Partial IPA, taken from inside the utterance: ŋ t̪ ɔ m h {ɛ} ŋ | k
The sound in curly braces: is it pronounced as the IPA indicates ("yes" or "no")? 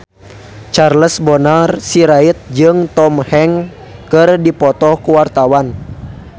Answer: yes